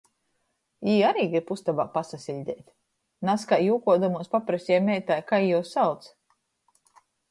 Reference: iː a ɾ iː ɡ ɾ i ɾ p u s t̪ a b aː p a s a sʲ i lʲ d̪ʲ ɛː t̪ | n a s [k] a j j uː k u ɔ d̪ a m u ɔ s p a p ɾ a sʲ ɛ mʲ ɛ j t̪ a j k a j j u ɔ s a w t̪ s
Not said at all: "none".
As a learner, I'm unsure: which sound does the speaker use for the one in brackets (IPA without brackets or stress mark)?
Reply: k